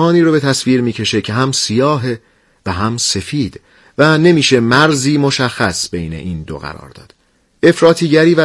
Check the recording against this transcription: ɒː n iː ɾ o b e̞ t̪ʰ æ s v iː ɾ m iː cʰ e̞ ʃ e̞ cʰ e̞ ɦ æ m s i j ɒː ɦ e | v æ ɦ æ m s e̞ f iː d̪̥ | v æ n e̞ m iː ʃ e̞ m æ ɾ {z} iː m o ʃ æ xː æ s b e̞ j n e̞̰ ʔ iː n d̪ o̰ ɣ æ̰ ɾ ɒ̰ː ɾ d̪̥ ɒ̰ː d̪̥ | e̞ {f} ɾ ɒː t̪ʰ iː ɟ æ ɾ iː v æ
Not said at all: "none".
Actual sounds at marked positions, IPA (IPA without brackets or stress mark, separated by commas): z, f